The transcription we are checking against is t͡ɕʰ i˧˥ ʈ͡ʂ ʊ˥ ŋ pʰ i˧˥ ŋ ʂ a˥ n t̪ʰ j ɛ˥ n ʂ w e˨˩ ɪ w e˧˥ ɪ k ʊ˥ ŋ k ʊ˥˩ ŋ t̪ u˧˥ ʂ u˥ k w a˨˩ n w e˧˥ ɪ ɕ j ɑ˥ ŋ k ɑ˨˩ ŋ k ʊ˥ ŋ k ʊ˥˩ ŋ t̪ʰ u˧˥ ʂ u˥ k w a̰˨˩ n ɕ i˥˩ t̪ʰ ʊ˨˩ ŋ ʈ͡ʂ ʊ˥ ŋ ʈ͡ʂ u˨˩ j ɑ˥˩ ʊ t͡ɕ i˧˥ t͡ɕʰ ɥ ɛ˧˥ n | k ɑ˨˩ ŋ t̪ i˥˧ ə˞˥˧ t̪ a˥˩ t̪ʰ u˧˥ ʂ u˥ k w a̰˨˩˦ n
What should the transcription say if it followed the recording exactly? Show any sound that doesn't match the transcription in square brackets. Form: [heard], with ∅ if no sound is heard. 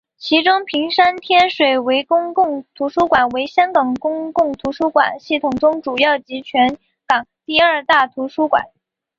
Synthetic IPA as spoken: t͡ɕʰ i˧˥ ʈ͡ʂ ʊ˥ ŋ pʰ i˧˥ ŋ ʂ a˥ n t̪ʰ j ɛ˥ n ʂ w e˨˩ ɪ w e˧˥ ɪ k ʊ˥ ŋ k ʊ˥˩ ŋ [t̪ʰ] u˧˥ ʂ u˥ k w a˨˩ n w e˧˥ ɪ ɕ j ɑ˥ ŋ k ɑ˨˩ ŋ k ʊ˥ ŋ k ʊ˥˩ ŋ t̪ʰ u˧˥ ʂ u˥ k w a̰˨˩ n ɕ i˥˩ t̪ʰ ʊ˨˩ ŋ ʈ͡ʂ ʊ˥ ŋ ʈ͡ʂ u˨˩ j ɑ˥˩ ʊ t͡ɕ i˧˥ t͡ɕʰ ɥ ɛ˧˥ n | k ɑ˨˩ ŋ t̪ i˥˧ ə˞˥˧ t̪ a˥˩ t̪ʰ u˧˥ ʂ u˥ k w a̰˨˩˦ n